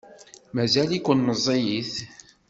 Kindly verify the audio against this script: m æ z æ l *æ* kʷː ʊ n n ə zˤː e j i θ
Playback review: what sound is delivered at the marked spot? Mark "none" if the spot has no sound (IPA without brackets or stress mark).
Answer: i